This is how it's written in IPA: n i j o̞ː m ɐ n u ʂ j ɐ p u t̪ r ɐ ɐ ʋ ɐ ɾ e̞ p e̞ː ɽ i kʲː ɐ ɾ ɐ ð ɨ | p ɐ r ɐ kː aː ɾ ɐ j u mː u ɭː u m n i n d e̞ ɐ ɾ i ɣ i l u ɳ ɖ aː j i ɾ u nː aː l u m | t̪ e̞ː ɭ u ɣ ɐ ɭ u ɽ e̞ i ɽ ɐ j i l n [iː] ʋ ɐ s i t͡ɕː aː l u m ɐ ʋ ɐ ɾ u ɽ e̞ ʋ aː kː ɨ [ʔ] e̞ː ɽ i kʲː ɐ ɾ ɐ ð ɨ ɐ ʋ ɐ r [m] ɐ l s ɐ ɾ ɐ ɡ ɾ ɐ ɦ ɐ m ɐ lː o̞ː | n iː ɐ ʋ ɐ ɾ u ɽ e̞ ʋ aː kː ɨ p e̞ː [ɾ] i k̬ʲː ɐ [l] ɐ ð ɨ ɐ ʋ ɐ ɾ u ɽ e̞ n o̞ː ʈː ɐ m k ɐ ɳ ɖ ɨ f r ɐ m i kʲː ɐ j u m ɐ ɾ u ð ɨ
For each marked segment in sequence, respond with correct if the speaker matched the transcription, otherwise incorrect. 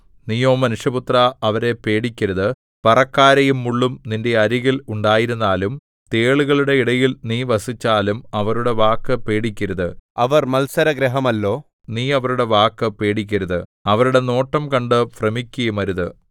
correct, incorrect: p, correct, incorrect: ɽ, incorrect: ɾ

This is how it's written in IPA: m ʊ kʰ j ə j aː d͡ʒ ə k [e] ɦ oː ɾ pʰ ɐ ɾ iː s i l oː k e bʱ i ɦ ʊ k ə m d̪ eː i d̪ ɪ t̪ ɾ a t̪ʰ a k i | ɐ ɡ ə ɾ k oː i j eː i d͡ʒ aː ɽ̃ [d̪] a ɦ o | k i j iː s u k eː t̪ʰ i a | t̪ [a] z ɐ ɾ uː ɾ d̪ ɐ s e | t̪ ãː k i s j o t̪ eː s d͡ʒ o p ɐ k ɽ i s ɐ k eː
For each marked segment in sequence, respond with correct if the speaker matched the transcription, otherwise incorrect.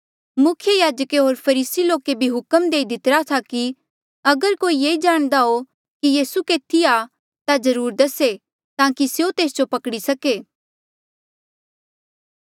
correct, correct, correct

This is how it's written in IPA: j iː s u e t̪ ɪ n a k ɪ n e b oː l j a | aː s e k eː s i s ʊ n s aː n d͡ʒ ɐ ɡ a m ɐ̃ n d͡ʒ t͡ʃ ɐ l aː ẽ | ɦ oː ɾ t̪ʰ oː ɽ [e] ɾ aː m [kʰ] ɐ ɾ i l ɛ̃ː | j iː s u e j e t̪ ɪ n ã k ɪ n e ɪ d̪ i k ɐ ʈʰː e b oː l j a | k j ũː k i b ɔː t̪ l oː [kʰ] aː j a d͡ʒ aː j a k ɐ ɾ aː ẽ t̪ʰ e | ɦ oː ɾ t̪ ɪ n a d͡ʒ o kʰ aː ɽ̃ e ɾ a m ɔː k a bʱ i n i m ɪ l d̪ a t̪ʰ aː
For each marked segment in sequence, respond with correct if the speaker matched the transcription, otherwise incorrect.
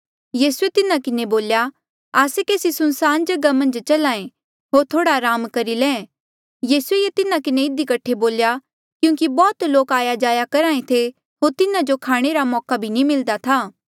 incorrect: a, incorrect: k, incorrect: k

